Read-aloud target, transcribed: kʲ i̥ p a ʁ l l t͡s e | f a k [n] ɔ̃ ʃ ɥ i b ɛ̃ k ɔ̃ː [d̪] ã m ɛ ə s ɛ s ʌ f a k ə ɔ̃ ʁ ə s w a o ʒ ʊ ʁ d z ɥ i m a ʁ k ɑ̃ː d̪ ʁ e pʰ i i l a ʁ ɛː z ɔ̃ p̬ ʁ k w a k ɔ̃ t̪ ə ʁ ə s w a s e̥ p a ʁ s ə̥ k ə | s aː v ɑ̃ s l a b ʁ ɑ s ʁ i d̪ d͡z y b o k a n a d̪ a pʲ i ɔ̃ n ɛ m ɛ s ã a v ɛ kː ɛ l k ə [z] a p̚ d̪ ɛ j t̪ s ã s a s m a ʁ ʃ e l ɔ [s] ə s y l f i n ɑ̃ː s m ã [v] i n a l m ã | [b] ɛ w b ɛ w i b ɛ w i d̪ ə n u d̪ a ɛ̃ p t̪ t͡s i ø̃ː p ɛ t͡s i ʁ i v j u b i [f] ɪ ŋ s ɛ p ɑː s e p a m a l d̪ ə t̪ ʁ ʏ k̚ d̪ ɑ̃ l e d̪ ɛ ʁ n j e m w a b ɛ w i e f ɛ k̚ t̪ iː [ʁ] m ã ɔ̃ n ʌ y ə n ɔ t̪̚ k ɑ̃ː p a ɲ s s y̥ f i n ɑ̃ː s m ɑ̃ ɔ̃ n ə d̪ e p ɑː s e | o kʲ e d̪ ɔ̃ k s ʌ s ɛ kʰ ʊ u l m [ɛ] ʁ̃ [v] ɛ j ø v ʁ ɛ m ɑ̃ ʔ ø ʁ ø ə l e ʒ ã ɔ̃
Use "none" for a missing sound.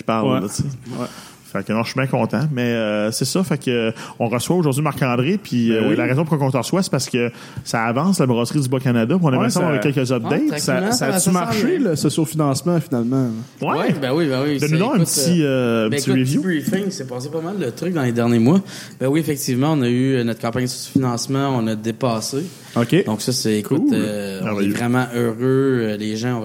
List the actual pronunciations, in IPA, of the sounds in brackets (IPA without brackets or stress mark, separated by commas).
n, t̪, z, s, f, w, f, v, ɛ, v